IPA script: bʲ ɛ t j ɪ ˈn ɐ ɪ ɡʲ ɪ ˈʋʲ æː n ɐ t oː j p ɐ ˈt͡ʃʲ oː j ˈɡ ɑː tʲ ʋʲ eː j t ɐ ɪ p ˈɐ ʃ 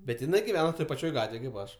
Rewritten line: bʲ ɛ t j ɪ ˈn ɐ ɪ ɡʲ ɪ ˈʋʲ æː n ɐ t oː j p ɐ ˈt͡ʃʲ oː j ˈɡ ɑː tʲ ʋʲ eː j k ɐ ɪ p ˈɐ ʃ